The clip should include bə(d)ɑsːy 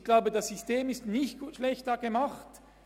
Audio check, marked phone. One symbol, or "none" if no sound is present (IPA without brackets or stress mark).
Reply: d